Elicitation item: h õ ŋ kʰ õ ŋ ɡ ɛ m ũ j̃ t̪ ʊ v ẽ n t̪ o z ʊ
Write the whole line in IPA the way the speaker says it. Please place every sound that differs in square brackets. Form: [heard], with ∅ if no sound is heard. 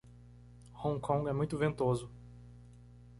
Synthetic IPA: h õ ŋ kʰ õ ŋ ɡ ɛ m ũ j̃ t̪ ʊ v ẽ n t̪ o z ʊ